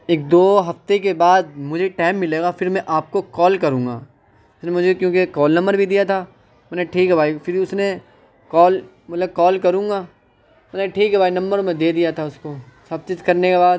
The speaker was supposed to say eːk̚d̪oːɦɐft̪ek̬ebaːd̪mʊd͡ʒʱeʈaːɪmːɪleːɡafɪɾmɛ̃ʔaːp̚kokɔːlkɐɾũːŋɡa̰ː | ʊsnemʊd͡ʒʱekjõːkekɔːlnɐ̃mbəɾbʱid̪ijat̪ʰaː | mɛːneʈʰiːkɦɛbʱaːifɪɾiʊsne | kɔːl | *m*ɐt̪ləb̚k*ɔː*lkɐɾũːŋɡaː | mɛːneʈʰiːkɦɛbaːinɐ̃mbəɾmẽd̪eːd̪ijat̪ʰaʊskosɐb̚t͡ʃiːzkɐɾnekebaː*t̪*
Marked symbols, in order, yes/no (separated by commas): yes, yes, no